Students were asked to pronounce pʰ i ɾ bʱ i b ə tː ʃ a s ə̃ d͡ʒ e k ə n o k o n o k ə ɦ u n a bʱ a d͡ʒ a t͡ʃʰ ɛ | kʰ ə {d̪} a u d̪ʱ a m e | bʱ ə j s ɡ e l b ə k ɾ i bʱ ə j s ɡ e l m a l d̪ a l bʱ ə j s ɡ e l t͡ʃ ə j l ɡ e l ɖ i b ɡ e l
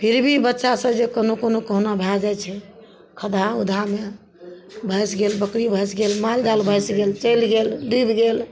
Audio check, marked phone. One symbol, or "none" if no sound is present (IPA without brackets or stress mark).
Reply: d̪